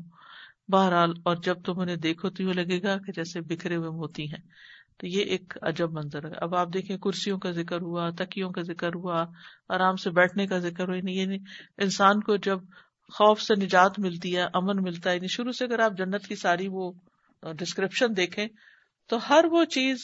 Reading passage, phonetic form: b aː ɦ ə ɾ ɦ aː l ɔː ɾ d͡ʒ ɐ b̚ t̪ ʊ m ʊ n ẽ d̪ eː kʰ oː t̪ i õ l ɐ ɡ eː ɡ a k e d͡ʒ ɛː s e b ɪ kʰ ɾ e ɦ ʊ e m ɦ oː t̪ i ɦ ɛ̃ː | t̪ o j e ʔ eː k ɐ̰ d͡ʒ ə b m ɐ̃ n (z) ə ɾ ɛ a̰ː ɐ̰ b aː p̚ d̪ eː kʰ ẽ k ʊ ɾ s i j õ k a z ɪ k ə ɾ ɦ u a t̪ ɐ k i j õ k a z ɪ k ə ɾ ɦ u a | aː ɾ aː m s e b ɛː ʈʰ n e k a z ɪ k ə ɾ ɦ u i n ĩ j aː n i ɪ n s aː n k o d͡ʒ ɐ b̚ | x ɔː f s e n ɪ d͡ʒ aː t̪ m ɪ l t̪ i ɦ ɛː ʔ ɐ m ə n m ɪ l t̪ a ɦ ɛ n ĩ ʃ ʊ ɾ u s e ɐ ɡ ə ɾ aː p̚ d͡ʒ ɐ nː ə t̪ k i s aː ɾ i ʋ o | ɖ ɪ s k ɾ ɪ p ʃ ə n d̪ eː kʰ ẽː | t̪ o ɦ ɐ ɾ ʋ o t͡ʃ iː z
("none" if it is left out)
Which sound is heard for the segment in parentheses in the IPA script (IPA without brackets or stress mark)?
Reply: z